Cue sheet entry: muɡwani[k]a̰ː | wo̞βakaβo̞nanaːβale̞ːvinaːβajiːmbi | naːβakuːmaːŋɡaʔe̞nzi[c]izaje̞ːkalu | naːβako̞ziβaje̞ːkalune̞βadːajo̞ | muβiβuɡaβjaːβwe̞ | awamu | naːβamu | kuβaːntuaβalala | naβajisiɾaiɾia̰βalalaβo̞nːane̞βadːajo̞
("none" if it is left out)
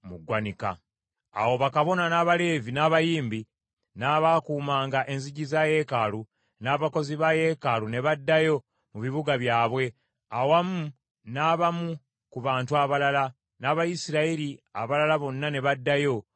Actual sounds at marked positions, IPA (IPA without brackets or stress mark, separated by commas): k, ɟ